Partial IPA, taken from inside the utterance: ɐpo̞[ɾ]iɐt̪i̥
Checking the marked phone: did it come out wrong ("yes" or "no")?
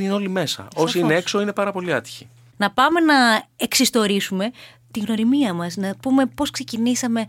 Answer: yes